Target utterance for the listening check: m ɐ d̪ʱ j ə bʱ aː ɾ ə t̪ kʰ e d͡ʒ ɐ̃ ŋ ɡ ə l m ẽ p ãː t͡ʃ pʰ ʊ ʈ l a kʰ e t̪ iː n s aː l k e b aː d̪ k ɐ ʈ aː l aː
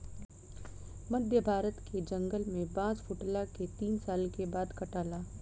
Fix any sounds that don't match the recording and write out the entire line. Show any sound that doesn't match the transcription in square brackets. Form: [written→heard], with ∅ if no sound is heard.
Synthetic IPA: m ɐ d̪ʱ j ə bʱ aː ɾ ə t̪ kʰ e d͡ʒ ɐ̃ ŋ ɡ ə l m ẽ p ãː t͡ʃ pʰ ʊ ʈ l a [kʰ→k] e t̪ iː n s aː l k e b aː d̪ k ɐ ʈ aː l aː